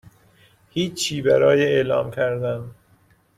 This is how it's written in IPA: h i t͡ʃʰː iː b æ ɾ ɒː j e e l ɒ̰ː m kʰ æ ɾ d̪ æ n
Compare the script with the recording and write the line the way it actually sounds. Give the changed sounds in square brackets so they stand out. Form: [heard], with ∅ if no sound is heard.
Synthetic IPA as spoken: h [iː] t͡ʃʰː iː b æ ɾ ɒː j e e l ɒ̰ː m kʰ æ ɾ d̪ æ n